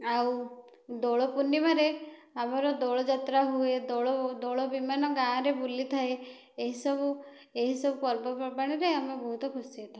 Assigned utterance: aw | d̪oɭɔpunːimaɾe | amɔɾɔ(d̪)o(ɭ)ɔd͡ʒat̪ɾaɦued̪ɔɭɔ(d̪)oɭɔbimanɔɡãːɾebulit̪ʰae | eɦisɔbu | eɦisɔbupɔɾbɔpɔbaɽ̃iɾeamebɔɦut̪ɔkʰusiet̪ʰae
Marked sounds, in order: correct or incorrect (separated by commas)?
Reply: correct, correct, correct